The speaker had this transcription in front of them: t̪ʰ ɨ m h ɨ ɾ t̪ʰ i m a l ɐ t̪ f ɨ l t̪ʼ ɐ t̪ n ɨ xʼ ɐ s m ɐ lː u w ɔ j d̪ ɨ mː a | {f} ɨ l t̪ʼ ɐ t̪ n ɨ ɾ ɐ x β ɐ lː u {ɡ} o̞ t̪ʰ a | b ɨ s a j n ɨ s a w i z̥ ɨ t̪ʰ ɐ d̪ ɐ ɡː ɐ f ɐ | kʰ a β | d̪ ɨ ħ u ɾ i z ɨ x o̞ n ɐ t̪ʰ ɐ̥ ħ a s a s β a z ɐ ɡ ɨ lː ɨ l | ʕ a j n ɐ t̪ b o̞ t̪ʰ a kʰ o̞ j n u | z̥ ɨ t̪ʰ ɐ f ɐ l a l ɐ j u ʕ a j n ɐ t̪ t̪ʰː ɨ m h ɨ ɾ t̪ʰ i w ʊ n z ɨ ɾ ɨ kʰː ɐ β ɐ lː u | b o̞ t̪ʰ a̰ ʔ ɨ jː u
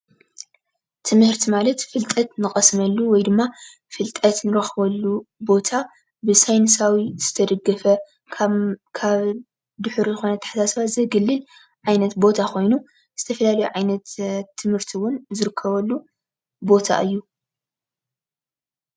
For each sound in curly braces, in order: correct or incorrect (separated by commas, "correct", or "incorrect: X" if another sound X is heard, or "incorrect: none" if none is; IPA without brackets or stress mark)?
correct, incorrect: b